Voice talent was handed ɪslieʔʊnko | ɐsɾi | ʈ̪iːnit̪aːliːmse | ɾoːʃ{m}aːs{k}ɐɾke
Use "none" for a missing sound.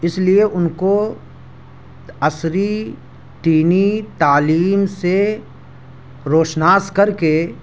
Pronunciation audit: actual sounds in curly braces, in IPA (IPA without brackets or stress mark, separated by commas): n, k